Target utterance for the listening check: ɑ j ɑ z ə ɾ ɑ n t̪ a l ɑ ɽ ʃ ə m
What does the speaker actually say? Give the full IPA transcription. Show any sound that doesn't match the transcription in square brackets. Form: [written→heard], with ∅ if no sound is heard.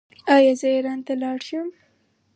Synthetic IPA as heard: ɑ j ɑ z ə ɾ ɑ n t̪ a l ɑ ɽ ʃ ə m